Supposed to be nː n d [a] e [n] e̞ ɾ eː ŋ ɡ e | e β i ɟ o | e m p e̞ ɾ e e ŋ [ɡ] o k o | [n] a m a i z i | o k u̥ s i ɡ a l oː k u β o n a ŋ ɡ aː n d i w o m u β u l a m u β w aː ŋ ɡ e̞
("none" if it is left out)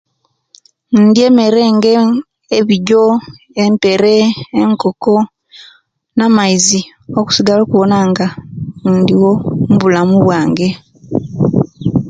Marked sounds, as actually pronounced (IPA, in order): i, m, k, n

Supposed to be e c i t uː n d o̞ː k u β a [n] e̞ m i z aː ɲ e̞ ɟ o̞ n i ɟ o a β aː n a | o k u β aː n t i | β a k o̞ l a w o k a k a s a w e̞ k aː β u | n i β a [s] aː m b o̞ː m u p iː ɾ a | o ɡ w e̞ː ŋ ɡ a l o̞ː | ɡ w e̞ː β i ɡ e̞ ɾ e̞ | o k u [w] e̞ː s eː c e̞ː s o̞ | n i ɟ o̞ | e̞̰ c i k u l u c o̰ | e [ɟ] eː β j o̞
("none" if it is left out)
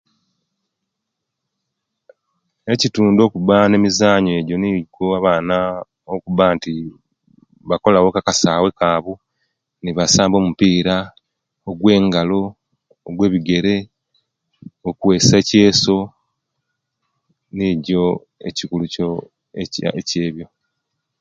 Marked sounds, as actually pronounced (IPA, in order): n, s, w, c

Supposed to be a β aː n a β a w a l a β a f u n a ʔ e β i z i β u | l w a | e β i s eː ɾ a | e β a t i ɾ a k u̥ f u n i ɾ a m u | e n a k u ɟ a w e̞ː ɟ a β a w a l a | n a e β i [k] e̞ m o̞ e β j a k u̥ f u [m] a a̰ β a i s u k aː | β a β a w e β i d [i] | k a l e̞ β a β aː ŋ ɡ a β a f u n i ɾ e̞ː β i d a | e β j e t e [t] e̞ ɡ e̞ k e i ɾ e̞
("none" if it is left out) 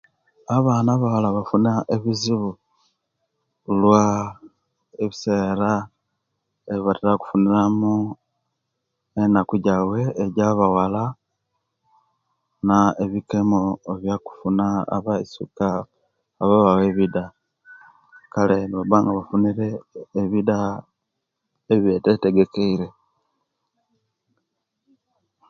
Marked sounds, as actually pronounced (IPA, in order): k, n, a, t

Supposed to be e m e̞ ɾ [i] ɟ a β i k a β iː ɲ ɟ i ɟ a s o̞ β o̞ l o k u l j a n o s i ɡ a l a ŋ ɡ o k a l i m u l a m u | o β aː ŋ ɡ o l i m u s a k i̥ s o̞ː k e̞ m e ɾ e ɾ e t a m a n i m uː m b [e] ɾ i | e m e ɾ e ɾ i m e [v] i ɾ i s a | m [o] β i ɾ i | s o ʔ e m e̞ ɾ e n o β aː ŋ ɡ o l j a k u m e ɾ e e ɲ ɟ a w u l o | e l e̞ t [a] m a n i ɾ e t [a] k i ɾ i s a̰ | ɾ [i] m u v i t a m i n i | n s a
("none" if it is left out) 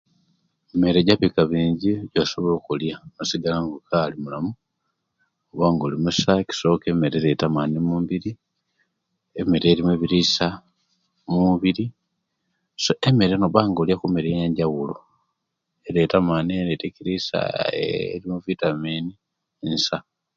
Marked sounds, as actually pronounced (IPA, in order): e, i, β, u, a, e, i

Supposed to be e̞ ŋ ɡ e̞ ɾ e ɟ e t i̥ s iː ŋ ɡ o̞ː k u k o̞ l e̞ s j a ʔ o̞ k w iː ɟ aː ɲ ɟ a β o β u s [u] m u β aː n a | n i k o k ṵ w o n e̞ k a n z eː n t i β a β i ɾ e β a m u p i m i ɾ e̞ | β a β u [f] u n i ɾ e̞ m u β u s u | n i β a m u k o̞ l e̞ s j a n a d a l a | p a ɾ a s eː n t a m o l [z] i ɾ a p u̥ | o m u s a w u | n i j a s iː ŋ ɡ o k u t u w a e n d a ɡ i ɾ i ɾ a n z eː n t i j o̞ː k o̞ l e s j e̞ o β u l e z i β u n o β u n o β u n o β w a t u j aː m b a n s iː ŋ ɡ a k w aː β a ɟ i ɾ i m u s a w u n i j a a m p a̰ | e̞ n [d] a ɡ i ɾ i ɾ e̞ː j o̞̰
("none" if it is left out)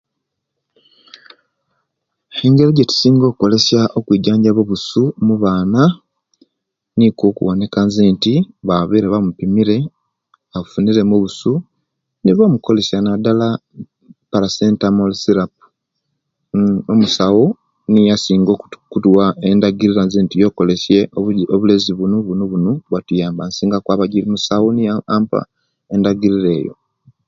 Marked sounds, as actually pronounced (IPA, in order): u, f, s, d

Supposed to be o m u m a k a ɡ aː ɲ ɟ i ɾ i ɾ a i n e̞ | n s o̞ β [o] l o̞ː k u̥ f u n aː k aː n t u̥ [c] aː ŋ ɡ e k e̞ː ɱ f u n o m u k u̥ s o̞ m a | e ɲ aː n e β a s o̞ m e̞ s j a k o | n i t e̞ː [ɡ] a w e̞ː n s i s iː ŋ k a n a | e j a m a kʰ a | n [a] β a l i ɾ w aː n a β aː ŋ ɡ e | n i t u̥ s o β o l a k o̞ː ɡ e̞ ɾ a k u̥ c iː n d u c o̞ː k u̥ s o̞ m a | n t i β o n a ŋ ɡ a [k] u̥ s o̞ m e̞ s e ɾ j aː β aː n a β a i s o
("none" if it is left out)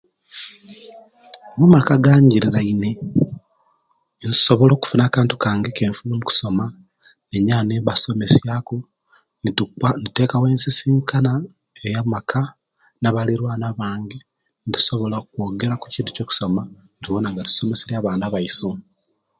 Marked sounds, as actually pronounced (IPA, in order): o, k, k, a, t

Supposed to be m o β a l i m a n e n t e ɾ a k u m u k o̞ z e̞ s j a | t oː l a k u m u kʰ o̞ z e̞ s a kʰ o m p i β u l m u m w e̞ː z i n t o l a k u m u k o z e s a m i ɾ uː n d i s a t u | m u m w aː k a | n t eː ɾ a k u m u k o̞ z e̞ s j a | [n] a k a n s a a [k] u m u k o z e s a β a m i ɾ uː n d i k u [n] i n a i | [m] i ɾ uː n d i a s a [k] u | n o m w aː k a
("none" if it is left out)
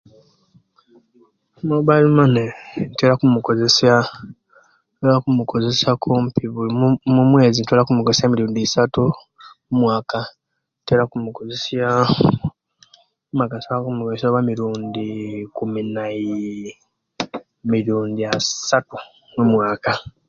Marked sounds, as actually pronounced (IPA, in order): m, k, m, m, t

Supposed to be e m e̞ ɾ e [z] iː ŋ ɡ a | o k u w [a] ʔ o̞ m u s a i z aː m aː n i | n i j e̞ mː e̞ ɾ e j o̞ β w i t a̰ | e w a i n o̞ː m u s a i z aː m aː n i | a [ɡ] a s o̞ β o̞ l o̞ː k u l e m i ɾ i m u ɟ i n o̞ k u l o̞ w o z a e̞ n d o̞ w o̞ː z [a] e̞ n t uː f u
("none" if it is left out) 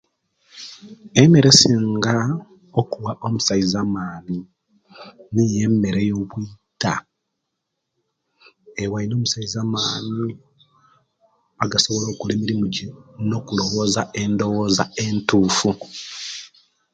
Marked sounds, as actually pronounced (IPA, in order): s, a, ɡ, a

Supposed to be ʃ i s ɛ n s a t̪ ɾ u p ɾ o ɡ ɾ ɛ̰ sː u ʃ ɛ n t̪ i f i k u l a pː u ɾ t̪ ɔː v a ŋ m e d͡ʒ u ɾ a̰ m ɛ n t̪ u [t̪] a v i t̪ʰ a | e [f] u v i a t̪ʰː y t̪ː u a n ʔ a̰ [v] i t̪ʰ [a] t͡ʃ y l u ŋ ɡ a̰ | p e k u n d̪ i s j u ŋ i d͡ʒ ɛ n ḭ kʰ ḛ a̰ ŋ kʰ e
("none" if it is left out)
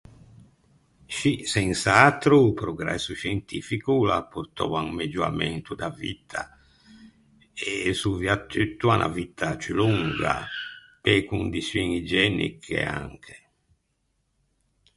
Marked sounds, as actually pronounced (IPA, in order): d̪, s, v, a

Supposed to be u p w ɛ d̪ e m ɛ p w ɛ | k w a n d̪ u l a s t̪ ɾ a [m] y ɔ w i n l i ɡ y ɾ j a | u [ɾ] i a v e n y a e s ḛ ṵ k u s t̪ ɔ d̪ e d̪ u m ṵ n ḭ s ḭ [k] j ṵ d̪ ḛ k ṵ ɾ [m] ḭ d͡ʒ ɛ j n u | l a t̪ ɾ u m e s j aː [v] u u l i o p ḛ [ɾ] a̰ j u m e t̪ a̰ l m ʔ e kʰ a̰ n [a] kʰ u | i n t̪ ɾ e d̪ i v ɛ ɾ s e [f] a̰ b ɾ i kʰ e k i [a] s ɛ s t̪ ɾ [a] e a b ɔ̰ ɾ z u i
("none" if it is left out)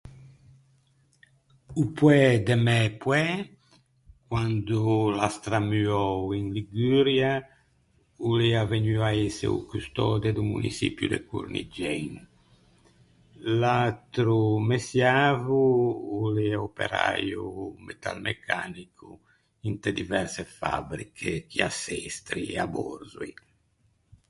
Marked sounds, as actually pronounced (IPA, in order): m, l, p, n, v, ɾ, i, f, a, i

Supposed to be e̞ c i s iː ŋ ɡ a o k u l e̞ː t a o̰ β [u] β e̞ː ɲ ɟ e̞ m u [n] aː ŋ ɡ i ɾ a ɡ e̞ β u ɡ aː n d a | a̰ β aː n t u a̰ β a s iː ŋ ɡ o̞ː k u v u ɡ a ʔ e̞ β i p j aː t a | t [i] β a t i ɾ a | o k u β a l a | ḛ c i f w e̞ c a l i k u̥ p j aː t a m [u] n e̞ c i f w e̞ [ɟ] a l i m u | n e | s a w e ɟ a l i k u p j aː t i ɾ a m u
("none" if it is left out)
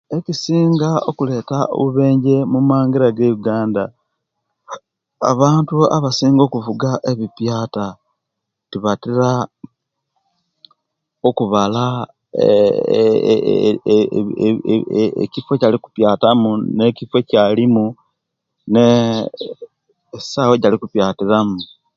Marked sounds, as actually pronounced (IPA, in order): u, m, i, u, c

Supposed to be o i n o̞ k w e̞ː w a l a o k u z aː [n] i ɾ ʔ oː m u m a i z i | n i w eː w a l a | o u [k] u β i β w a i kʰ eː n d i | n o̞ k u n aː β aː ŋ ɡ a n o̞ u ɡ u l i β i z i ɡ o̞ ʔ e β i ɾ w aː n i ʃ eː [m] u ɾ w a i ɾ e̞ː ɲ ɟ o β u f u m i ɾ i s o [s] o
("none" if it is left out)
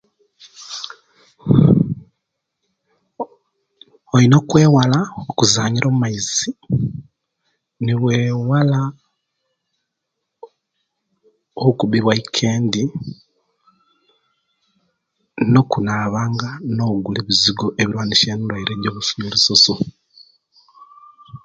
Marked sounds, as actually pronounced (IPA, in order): ɲ, k, n, s

